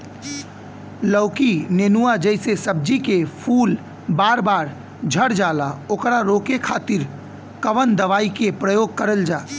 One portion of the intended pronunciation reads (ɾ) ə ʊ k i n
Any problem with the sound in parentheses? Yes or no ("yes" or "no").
yes